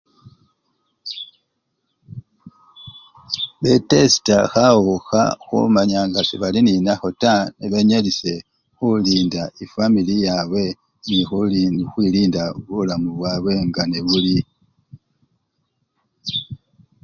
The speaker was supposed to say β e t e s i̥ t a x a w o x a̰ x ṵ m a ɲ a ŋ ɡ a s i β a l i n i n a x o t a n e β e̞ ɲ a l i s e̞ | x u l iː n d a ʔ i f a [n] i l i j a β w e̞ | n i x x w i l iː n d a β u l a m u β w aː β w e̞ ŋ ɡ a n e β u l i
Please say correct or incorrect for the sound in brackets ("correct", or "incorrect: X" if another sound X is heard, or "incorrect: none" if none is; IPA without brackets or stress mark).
incorrect: m